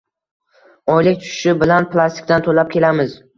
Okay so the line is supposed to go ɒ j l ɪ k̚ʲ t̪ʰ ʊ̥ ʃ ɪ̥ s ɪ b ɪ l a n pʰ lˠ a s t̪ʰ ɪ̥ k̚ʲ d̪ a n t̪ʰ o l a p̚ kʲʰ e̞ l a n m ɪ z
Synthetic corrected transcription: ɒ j l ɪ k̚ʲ t̪ʰ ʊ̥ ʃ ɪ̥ ʃ ɪ b ɪ l a n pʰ lˠ a s t̪ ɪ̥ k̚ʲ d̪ a n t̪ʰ o l a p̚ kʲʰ e̞ l a m ɪ z